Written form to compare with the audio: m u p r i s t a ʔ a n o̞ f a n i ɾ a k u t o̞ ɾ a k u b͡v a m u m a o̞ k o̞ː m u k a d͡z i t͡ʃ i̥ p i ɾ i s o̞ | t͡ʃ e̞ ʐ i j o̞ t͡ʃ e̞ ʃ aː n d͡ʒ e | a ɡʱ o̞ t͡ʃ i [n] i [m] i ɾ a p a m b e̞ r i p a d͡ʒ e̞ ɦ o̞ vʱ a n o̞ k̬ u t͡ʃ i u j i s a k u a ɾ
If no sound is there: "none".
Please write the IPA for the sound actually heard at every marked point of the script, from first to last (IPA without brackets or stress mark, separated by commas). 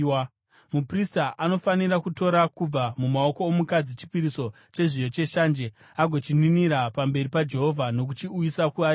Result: n, n